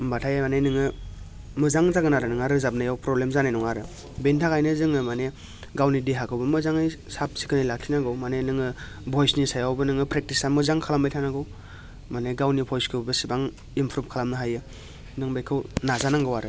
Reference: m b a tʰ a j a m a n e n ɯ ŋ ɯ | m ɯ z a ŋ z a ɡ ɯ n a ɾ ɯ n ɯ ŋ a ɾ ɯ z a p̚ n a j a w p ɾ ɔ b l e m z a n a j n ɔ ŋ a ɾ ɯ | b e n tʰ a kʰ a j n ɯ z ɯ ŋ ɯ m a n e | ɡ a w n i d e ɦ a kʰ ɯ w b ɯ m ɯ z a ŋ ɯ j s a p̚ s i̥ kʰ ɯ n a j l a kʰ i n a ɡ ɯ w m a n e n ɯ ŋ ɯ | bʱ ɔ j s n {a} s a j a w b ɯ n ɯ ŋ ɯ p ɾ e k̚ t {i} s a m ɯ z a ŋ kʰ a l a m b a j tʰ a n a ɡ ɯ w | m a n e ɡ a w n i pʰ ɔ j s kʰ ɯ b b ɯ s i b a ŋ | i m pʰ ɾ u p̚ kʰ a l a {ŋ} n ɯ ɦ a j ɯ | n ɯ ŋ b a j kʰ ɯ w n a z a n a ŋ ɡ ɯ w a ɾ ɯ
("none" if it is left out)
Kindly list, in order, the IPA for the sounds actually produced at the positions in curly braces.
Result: i, i, m

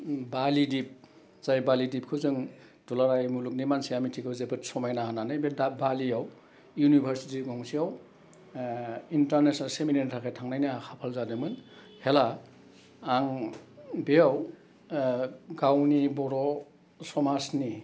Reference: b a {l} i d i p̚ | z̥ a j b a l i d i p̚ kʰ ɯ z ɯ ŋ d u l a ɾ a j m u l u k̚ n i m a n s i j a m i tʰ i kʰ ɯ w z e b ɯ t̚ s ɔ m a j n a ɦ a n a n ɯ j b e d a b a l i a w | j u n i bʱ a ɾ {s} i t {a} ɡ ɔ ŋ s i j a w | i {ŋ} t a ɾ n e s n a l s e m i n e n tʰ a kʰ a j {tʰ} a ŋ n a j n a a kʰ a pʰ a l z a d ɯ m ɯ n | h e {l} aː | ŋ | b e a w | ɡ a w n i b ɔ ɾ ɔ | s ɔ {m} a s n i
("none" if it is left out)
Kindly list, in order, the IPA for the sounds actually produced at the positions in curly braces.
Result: l, s, i, n, tʰ, l, m

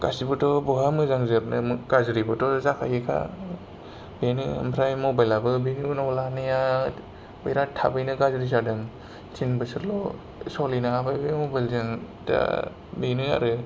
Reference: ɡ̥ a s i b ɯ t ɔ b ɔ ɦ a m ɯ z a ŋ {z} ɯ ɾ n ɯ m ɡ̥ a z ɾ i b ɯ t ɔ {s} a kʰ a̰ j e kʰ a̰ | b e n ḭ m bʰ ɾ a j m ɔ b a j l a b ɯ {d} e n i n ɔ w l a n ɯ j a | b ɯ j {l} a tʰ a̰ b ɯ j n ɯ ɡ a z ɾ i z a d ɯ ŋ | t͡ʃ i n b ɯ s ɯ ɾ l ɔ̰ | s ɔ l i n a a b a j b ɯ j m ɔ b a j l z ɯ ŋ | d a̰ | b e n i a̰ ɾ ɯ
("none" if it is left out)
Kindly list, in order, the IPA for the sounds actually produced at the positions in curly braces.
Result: z, z, b, ɾ

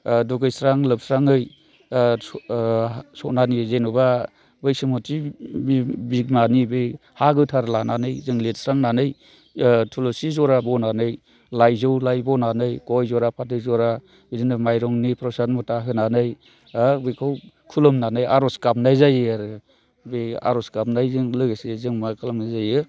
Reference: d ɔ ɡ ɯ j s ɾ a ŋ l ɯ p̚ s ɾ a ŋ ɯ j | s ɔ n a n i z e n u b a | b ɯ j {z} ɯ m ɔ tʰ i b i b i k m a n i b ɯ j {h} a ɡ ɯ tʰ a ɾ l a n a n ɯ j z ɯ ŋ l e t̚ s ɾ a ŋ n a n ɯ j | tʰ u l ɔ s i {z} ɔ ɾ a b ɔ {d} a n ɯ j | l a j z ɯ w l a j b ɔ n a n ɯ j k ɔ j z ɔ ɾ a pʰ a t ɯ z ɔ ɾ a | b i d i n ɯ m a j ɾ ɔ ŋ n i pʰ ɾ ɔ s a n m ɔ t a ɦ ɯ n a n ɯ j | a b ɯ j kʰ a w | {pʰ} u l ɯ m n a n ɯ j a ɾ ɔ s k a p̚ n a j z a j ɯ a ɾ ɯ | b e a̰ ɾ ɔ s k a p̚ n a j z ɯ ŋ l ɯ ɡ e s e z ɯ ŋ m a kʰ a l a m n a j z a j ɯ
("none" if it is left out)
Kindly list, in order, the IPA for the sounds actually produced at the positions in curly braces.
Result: s, h, z, n, kʰ

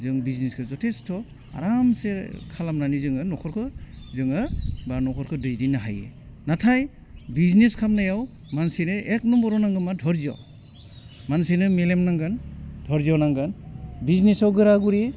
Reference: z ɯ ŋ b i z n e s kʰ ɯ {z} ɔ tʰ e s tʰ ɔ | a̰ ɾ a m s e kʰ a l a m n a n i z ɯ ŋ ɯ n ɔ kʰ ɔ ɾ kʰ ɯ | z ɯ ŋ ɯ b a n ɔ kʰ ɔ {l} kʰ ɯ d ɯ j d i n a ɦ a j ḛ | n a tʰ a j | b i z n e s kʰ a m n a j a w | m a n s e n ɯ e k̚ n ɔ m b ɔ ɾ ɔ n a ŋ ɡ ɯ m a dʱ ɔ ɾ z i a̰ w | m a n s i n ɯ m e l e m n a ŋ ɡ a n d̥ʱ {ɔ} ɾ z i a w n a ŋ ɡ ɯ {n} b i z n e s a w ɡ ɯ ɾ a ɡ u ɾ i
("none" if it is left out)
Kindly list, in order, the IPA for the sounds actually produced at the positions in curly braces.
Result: z, ɾ, ɔ, n

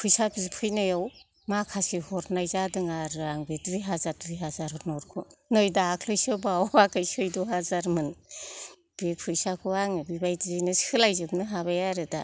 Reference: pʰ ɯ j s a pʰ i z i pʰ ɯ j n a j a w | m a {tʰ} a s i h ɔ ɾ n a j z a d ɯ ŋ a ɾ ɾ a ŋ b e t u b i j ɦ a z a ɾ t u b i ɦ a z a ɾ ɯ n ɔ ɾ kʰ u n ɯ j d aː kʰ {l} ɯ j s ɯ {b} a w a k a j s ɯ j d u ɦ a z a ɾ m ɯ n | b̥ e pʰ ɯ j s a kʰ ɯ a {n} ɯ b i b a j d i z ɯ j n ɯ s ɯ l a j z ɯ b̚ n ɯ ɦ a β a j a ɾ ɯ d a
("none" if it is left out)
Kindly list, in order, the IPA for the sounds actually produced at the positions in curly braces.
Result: kʰ, l, b, ŋ

